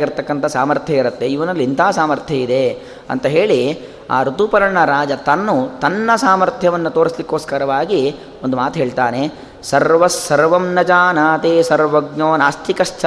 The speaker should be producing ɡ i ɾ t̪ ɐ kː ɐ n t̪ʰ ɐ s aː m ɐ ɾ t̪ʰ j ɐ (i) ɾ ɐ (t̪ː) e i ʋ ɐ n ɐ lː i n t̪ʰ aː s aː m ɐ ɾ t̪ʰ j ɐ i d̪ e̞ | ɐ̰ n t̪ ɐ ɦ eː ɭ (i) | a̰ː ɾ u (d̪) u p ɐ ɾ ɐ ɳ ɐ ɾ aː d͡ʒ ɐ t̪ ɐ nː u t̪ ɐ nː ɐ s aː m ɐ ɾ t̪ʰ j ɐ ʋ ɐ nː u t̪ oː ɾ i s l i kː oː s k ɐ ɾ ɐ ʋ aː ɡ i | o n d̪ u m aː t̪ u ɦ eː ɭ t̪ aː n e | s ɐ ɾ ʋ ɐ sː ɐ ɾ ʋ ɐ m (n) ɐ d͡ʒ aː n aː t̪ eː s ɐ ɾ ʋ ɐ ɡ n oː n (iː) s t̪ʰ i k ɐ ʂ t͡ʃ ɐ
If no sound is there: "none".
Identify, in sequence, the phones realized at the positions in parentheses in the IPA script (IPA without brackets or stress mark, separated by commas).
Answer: i, t̪ː, i, t̪, n, aː